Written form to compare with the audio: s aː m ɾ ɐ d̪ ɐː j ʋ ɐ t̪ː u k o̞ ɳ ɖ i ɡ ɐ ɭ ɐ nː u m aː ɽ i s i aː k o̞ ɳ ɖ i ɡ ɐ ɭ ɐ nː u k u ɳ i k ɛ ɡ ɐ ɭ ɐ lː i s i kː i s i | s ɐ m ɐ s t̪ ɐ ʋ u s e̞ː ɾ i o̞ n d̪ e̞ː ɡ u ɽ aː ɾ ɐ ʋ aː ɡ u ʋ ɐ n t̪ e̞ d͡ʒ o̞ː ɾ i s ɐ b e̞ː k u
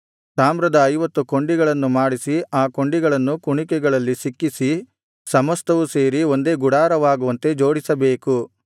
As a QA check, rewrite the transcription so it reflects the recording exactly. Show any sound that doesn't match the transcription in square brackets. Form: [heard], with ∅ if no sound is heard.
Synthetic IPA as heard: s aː m ɾ ɐ d̪ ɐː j ʋ ɐ t̪ː u k o̞ ɳ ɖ i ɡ ɐ ɭ ɐ nː u m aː ɽ i s i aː k o̞ ɳ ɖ i ɡ ɐ ɭ ɐ nː u k u ɳ i k ɛ ɡ ɐ ɭ ɐ lː i s i kː i s i | s ɐ m ɐ s t̪ ɐ ʋ u s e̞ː ɾ i o̞ n d̪ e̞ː ɡ u ɽ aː ɾ ɐ ʋ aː ɡ u ʋ ɐ n t̪ e̞ d͡ʒ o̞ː [ɽ] i s ɐ b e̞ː k u